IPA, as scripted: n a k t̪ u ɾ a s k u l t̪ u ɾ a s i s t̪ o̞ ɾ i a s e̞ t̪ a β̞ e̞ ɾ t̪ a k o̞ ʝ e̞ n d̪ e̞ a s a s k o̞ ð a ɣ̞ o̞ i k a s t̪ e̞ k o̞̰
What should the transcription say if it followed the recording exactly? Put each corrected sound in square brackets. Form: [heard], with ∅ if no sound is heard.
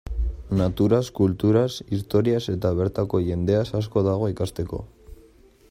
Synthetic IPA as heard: n a [∅] t̪ u ɾ a s k u l t̪ u ɾ a s i s t̪ o̞ ɾ i a s e̞ t̪ a β̞ e̞ ɾ t̪ a k o̞ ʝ e̞ n d̪ e̞ a s a s k o̞ ð a ɣ̞ o̞ i k a s t̪ e̞ k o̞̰